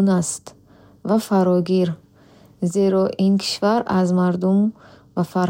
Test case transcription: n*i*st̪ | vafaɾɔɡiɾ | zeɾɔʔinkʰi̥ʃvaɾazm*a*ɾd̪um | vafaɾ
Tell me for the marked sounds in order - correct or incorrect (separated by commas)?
incorrect, correct